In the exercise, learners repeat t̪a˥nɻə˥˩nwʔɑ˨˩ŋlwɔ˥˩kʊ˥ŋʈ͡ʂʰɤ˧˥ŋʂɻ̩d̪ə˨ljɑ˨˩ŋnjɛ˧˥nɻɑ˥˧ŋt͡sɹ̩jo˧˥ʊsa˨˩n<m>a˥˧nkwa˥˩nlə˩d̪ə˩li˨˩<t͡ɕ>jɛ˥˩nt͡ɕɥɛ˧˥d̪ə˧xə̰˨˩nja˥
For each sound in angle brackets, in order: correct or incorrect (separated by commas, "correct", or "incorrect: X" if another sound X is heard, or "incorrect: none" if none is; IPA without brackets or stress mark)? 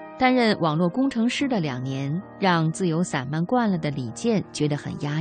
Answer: correct, correct